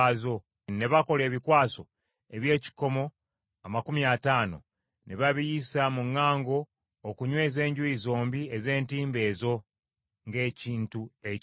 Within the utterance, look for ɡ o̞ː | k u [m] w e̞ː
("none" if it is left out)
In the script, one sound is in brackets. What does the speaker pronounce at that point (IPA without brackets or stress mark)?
ɲ